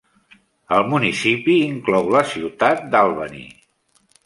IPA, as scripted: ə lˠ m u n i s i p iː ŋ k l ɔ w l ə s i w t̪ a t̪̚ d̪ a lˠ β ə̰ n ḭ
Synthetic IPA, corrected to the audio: ə lˠ m u n i s i p iː ŋ k l ɔ w l ə s i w t̪ a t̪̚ d̪ a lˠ β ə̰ n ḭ